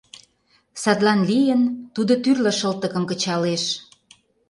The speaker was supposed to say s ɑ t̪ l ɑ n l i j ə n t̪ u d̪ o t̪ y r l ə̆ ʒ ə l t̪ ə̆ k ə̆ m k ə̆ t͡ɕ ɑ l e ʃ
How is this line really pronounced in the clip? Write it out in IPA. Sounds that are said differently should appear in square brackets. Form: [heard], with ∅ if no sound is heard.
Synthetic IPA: s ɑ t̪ l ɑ n l i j ə n t̪ u d̪ o t̪ y r l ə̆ [ʃ] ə l t̪ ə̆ k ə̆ m k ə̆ t͡ɕ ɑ l e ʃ